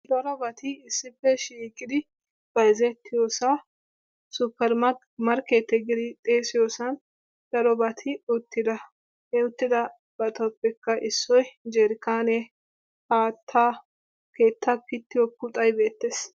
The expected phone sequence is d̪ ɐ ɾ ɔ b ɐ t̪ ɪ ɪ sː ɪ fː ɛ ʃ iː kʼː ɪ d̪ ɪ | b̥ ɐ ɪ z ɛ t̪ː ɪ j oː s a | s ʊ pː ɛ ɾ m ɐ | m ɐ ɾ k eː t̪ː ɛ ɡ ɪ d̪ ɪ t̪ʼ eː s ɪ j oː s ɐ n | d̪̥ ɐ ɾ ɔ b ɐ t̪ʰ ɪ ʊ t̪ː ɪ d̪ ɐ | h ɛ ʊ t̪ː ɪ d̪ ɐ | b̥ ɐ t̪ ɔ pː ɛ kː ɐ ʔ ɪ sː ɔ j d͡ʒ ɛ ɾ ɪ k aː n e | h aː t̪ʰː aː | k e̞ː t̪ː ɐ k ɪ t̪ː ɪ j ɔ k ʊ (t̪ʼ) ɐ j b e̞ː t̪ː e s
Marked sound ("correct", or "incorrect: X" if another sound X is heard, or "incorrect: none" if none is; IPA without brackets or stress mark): correct